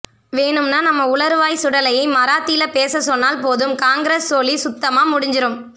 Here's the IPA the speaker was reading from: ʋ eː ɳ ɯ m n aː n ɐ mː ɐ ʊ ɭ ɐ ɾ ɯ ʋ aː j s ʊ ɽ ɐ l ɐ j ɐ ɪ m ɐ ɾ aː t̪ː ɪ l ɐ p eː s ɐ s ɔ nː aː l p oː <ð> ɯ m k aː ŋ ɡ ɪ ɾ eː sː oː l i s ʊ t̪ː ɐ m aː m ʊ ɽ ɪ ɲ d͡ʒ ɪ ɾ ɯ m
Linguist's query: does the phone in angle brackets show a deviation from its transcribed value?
no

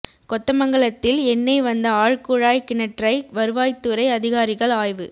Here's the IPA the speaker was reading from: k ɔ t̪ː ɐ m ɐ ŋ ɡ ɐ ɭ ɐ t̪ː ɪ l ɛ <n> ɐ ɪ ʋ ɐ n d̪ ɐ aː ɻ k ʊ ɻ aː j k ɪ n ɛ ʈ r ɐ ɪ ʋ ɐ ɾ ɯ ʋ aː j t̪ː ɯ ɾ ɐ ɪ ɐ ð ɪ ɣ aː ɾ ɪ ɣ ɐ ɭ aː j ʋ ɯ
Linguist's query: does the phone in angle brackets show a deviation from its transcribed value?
yes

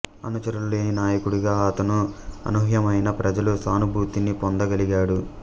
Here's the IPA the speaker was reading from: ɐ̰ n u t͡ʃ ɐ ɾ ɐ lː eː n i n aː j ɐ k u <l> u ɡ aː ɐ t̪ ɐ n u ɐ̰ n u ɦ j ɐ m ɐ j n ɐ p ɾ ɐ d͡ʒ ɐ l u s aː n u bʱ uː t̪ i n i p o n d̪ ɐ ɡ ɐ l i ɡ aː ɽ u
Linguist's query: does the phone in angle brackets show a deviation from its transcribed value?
yes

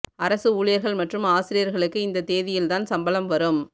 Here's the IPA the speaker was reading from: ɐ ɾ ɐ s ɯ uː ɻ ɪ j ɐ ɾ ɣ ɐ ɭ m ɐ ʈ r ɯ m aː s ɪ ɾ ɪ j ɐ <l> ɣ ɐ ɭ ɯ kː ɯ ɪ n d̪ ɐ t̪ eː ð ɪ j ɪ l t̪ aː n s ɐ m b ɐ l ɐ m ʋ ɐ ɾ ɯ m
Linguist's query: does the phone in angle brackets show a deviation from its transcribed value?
yes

